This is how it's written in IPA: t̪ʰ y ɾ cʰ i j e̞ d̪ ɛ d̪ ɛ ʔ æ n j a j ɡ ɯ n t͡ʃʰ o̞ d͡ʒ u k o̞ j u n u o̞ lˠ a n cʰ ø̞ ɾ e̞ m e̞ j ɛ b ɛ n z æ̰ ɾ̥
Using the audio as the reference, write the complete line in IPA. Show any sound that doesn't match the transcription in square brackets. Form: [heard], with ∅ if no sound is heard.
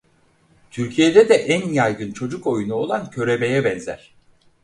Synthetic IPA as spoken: t̪ʰ y ɾ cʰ i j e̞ d̪ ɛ d̪ ɛ ʔ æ n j a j ɡ ɯ n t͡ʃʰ o̞ d͡ʒ u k o̞ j u n u o̞ lˠ a n cʰ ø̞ ɾ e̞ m e̞ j ɛ b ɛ n z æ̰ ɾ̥